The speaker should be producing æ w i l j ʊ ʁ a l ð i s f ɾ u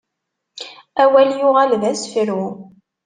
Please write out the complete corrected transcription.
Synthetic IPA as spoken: æ w æ l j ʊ ʁ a l ð æ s f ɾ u